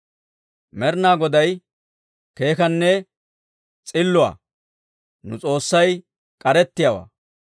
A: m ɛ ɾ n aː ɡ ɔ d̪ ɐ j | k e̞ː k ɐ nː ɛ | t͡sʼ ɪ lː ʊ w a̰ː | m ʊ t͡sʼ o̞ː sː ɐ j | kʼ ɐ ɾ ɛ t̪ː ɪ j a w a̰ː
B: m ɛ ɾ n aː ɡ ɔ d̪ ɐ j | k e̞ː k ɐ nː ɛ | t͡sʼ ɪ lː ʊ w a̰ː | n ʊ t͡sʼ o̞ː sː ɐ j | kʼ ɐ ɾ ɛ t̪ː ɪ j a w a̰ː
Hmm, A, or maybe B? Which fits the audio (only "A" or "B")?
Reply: B